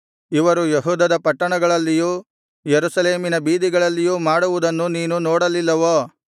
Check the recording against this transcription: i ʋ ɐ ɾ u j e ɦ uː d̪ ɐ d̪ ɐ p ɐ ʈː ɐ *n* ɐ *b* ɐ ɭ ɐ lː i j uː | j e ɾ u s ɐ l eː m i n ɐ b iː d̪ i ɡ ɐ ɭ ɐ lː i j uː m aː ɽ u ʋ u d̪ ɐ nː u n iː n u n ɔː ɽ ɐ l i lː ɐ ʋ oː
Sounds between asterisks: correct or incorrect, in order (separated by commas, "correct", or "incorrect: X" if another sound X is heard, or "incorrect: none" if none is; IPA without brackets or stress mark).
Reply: incorrect: ɳ, incorrect: ɡ